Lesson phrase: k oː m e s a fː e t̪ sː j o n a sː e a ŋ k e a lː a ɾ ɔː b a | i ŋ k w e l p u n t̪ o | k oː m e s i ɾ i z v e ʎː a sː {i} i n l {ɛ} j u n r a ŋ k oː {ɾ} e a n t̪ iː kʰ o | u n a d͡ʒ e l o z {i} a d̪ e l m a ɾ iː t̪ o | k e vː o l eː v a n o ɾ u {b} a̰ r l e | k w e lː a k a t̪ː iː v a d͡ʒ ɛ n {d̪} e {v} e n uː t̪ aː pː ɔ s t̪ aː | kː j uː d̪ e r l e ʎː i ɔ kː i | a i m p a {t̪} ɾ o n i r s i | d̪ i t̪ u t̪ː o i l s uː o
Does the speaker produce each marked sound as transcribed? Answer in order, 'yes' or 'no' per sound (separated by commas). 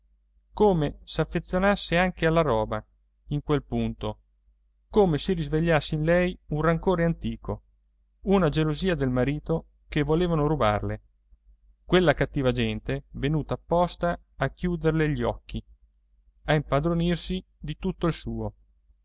no, yes, yes, no, yes, no, yes, no